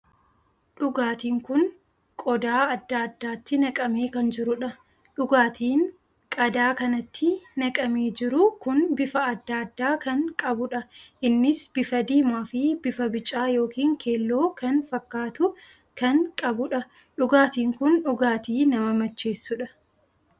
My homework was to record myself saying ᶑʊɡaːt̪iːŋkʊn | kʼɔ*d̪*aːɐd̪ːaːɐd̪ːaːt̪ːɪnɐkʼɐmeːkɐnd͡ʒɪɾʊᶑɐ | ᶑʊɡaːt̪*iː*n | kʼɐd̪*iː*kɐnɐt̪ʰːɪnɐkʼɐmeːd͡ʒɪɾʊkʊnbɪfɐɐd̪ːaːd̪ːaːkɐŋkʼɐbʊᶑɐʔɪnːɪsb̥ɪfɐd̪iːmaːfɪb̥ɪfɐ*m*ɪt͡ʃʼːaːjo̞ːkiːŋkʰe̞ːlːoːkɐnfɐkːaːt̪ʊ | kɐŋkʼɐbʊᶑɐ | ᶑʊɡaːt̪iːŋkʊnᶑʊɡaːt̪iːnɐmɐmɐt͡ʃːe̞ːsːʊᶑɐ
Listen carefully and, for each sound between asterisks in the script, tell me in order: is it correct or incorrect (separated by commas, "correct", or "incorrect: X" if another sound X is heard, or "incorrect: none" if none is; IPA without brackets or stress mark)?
correct, correct, incorrect: aː, incorrect: b